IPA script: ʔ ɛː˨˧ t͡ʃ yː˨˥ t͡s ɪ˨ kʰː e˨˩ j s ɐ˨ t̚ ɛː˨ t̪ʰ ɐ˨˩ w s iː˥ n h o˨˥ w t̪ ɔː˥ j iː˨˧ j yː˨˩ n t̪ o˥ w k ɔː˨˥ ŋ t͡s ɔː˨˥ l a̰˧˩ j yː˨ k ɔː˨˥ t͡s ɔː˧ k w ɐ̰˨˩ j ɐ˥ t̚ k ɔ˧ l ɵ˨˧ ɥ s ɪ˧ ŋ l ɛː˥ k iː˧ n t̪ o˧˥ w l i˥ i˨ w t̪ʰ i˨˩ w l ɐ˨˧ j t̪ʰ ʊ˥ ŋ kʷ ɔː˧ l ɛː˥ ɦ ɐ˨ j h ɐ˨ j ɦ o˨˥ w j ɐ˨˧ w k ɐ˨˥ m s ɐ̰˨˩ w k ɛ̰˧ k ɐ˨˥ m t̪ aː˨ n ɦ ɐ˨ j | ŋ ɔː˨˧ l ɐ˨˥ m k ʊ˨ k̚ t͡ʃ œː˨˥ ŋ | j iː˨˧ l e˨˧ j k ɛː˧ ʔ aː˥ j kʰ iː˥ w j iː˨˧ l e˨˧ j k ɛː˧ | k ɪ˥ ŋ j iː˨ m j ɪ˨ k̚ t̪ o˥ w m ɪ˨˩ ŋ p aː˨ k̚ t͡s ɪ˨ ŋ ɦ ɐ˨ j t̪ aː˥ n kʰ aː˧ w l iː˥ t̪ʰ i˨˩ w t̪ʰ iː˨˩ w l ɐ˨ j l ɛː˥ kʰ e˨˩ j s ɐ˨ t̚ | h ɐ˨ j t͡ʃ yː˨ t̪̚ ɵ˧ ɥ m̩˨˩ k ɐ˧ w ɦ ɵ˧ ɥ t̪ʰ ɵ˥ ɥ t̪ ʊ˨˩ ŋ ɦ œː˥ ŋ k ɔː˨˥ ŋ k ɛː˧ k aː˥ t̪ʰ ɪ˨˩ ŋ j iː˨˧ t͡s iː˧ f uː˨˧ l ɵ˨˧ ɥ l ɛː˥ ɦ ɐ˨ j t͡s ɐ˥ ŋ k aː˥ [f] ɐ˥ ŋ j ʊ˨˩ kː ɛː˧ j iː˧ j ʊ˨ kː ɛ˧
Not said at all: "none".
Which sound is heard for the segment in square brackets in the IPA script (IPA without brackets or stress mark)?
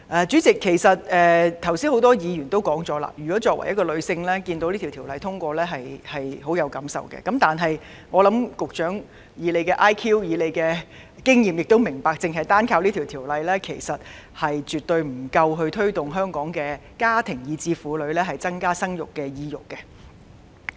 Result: s